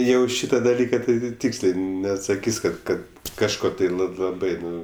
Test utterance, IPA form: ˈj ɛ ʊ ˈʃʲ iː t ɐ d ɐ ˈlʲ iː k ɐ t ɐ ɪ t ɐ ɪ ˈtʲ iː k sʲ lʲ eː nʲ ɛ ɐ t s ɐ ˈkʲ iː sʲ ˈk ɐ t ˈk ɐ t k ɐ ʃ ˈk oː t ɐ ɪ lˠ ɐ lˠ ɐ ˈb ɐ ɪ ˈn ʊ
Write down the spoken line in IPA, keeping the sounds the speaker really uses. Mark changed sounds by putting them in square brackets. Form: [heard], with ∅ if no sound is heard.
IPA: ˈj ɛ ʊ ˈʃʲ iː t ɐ d ɐ ˈlʲ iː k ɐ t ɐ ɪ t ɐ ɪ ˈtʲ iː k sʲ lʲ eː nʲ ɛ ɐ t s ɐ ˈkʲ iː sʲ ˈk ɐ t ˈk ɐ t k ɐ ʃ ˈk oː t ɐ ɪ lˠ ɐ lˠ ɐ ˈb ɐ ɪ ˈn ʊ